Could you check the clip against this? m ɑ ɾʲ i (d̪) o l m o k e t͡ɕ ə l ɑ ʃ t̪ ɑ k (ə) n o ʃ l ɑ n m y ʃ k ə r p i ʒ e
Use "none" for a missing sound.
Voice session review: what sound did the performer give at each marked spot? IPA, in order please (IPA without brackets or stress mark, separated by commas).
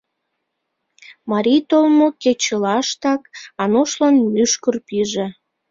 t̪, ɑ